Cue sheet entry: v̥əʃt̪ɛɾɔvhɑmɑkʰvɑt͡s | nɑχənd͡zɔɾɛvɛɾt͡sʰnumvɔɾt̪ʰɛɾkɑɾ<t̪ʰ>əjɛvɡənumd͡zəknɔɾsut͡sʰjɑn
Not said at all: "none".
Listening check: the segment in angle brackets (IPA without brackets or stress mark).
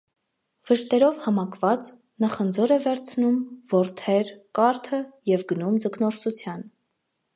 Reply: t̪ʰ